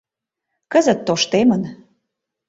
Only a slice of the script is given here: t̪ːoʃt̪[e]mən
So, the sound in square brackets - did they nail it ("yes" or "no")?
yes